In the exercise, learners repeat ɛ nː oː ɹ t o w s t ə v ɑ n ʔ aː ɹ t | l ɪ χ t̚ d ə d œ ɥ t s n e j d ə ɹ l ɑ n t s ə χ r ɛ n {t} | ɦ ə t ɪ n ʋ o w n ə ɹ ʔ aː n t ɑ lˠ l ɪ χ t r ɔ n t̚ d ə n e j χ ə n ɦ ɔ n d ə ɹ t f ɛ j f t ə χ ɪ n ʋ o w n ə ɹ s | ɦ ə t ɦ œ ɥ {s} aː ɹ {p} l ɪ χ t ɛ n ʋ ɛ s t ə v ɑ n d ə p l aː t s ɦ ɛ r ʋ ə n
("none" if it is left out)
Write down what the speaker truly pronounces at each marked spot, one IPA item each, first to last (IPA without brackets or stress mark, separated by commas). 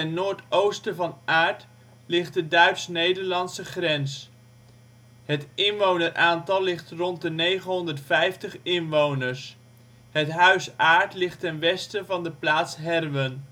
s, s, t